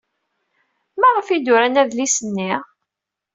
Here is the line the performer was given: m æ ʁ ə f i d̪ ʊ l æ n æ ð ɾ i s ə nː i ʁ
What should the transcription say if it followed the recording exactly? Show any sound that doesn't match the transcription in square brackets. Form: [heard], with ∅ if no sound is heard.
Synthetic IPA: m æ ʁ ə f i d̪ ʊ [ɾ] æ n æ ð [l] i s ə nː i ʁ